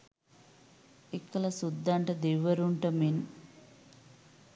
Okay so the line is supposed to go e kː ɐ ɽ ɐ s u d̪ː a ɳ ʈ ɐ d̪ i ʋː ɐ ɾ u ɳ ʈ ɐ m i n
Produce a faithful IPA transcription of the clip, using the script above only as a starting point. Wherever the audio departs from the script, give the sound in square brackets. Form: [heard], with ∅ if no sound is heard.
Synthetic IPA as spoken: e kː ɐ [l] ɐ s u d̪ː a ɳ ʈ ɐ d̪ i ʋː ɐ ɾ u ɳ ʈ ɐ m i n

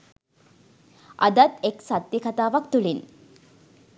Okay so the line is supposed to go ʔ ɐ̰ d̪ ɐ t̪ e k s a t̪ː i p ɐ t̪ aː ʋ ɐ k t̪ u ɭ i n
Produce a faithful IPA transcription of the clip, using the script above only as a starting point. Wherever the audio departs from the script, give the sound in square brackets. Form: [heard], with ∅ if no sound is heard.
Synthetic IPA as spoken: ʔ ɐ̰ d̪ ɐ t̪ e k s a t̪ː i [k] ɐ t̪ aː ʋ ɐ k t̪ u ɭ i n

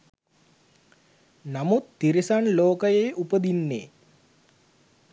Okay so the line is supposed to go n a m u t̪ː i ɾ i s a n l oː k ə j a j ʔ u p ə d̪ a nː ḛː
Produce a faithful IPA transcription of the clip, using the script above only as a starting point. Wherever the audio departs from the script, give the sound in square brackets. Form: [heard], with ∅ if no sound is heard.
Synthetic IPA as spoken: n a m u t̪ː i ɾ i s a n l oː k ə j [e] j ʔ u p ə d̪ [i] nː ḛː

